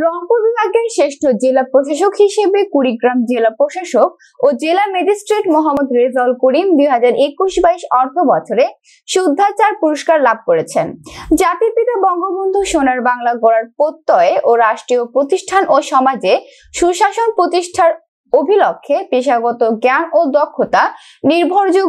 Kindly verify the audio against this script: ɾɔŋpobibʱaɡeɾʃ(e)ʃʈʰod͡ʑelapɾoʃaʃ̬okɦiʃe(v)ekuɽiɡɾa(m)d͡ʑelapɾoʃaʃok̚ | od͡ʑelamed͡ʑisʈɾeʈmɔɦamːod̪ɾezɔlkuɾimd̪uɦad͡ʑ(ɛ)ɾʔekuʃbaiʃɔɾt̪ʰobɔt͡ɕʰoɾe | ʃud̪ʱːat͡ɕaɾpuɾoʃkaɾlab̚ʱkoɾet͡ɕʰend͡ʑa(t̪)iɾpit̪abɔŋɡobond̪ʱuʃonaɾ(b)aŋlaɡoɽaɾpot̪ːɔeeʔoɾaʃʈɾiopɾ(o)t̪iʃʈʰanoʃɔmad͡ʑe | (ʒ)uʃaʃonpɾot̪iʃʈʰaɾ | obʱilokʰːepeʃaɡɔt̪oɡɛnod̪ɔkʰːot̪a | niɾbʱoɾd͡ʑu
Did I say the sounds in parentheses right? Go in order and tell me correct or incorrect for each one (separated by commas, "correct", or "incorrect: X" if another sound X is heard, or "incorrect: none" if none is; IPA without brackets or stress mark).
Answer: correct, incorrect: b, correct, incorrect: a, correct, correct, correct, incorrect: ʃ